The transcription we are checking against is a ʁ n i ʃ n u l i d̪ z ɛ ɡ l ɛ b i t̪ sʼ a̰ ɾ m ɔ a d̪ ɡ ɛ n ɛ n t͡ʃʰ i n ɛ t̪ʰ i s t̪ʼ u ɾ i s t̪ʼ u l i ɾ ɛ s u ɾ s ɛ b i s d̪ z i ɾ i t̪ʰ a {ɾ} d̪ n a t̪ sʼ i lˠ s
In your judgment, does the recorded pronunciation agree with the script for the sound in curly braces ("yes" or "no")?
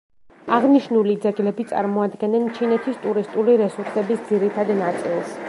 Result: no